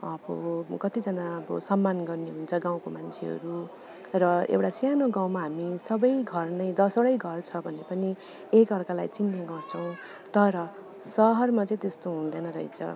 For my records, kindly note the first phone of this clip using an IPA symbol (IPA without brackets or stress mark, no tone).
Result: ʌ